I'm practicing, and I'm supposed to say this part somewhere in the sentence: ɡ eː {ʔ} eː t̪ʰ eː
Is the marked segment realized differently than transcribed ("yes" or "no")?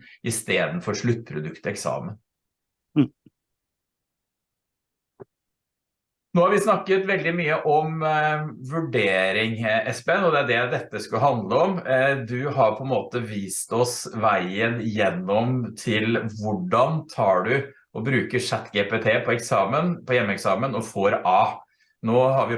yes